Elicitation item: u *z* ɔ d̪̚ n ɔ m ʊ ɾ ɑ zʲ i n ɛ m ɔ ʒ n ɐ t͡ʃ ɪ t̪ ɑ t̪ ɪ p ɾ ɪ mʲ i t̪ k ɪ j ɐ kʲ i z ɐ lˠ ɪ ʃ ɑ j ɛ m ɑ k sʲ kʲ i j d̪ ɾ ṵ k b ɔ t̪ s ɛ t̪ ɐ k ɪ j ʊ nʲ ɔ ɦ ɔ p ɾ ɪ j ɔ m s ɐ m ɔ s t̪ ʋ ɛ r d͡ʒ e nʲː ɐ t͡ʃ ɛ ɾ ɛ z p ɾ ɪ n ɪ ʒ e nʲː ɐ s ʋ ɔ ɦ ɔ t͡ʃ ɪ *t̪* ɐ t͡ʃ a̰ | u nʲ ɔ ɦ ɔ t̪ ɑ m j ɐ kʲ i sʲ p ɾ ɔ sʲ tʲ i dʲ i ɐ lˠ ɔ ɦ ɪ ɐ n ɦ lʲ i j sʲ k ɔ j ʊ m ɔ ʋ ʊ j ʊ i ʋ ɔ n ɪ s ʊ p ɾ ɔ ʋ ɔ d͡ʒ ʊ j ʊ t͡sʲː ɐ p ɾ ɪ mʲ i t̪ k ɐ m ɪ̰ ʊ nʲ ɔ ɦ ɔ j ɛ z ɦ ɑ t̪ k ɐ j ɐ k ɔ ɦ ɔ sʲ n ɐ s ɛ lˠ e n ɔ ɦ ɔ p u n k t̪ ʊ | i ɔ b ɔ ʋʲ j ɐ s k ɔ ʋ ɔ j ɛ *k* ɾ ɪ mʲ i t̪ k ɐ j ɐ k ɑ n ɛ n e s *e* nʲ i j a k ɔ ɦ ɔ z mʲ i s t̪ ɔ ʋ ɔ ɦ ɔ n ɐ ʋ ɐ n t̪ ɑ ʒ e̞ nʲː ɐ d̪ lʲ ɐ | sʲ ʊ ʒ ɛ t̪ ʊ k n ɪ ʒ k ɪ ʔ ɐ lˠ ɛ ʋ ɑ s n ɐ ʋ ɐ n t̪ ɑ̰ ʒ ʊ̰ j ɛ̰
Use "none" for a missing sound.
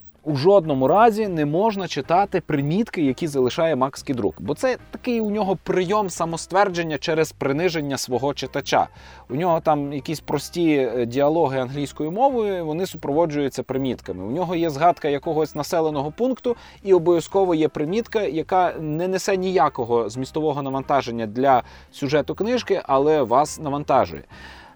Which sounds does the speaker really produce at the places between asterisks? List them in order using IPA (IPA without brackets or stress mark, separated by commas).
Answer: ʒ, t̪, p, ɛ